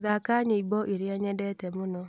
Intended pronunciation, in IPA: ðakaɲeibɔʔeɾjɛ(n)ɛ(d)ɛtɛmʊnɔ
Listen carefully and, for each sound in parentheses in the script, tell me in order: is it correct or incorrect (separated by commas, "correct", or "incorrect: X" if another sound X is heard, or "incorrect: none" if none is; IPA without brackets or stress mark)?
incorrect: ɲ, correct